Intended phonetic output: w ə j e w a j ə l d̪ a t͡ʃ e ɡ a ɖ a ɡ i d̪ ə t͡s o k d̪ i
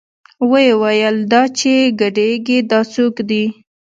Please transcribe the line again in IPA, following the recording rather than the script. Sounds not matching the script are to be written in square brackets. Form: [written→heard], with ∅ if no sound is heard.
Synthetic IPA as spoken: w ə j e w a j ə l d̪ [a→ɑ] t͡ʃ e ɡ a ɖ [a→e] ɡ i d̪ [ə→ɑ] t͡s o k d̪ i